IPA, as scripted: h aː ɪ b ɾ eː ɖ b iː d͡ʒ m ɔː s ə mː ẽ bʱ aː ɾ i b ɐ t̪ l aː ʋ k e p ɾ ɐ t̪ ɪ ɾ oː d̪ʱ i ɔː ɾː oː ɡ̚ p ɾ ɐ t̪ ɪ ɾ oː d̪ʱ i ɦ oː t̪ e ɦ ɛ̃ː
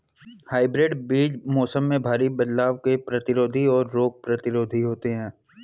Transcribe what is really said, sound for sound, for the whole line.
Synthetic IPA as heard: h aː ɪ b ɾ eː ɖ b iː d͡ʒ m ɔː s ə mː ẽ bʱ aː ɾ i b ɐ d̪ l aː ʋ k e p ɾ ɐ t̪ ɪ ɾ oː d̪ʱ i ɔː ɾː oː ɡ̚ p ɾ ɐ t̪ ɪ ɾ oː d̪ʱ i ɦ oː t̪ e ɦ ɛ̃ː